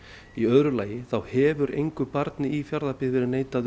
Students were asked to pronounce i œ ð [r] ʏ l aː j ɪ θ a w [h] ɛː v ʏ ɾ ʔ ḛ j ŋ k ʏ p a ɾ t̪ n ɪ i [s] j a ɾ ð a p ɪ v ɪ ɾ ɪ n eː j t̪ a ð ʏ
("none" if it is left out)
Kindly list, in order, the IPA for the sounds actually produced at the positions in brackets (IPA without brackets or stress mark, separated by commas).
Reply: ɾ, h, f